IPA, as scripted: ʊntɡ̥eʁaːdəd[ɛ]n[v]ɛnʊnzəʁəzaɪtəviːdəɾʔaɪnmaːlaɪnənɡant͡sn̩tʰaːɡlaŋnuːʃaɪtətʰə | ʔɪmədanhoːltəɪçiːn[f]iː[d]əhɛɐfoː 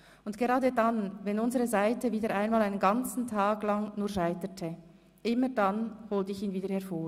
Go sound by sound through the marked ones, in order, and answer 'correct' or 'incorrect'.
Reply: incorrect: a, correct, incorrect: v, correct

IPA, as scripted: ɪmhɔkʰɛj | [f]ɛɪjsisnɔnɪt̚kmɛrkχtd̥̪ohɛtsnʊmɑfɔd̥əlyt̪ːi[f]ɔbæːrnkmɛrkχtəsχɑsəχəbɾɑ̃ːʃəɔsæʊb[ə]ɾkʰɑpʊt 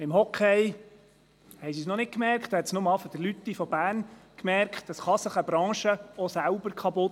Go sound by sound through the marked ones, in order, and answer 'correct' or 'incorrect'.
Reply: incorrect: h, correct, correct

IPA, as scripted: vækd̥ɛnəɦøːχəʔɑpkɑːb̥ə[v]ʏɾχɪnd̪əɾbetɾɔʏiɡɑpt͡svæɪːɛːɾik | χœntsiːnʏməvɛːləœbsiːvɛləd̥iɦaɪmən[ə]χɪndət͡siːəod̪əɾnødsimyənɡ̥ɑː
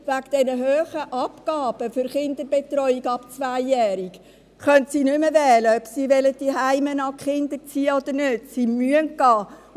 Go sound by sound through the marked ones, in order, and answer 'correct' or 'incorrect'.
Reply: incorrect: f, incorrect: ɑ

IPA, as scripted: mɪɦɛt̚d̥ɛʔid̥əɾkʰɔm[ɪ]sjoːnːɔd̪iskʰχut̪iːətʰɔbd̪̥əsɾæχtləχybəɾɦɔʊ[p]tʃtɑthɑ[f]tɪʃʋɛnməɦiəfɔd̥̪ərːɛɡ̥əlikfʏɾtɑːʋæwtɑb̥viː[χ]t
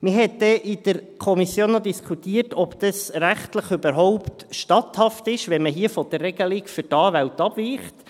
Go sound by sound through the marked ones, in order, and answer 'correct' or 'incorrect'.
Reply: incorrect: i, correct, correct, correct

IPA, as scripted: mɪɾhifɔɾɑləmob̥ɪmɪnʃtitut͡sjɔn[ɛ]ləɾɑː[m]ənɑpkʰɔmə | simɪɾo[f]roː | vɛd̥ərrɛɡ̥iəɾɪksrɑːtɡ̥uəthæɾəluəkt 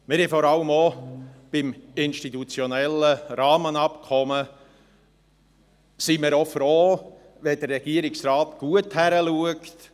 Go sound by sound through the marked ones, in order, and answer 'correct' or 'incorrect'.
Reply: correct, correct, correct

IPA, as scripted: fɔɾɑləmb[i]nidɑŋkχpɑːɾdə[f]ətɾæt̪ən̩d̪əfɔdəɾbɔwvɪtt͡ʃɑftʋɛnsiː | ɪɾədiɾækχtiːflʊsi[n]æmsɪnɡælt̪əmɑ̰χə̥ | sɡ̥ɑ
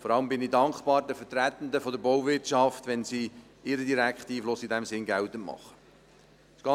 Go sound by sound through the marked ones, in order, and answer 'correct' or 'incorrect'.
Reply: incorrect: ɪ, correct, incorrect: d

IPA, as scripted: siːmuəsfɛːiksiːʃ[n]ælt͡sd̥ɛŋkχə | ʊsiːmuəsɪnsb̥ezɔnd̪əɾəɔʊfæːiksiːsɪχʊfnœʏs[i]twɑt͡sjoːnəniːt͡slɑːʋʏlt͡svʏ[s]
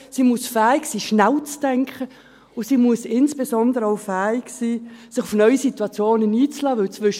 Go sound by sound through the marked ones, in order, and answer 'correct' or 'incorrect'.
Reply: correct, correct, incorrect: ʃ

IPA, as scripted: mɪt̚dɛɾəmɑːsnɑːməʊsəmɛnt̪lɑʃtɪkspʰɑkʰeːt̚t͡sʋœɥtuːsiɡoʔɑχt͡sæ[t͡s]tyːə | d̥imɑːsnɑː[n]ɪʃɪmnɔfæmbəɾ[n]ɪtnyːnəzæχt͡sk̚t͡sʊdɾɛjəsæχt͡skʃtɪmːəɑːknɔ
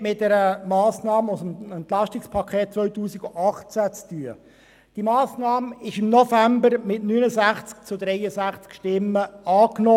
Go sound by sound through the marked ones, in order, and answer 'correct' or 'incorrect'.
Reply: correct, incorrect: m, incorrect: m

